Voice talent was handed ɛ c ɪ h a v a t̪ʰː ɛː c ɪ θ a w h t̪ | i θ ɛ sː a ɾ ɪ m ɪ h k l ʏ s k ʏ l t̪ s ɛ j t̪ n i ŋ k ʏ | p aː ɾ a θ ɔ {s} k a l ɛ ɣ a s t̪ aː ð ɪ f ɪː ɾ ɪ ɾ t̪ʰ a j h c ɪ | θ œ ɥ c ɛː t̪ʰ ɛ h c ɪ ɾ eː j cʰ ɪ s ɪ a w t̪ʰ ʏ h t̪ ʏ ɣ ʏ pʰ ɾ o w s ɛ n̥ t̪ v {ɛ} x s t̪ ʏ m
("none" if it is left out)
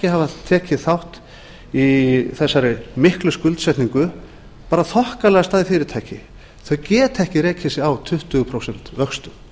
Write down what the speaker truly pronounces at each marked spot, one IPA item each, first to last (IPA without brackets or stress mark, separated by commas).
h, œ